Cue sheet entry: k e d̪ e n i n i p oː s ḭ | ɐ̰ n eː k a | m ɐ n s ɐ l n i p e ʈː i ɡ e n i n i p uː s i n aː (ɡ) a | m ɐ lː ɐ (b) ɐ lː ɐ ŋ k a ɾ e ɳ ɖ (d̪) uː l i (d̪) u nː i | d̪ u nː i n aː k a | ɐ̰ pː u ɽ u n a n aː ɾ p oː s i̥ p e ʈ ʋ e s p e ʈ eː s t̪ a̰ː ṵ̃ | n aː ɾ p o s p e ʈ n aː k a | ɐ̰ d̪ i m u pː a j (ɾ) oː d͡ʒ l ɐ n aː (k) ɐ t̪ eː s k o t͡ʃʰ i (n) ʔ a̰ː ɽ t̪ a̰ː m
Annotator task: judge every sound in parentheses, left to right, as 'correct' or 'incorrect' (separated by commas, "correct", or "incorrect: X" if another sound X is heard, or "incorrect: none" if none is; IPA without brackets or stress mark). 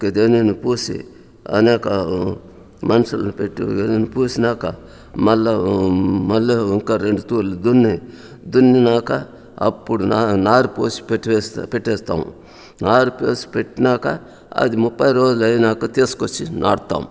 incorrect: k, incorrect: m, incorrect: t̪, correct, correct, correct, correct